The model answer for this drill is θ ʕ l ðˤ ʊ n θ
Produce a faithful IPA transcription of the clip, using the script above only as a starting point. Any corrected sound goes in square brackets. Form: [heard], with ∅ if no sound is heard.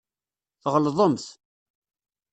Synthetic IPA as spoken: θ [ʁ] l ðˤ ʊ [m] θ